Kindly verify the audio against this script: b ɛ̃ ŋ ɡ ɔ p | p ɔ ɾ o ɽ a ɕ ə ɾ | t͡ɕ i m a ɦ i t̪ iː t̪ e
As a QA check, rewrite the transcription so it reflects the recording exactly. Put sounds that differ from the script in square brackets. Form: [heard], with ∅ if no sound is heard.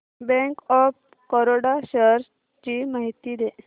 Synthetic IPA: b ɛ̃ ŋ [k] ɔ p | [k] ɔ ɾ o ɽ a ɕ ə ɾ | t͡ɕ i m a ɦ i t̪ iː [d̪] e